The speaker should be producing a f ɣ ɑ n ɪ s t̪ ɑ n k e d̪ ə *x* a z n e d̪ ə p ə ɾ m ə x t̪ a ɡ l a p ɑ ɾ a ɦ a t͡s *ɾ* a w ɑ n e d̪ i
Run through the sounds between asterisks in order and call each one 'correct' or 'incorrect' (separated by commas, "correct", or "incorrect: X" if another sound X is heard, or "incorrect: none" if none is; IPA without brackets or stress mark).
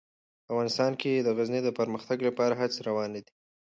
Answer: incorrect: ɣ, correct